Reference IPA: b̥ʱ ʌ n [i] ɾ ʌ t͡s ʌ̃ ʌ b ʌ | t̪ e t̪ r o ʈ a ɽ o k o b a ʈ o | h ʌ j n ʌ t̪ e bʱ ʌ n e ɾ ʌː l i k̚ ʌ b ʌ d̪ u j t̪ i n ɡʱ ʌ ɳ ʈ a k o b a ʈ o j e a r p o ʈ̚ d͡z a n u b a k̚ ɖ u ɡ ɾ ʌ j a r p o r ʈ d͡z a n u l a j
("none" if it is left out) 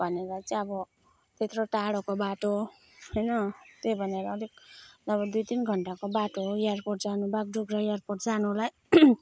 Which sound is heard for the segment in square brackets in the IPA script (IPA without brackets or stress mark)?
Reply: e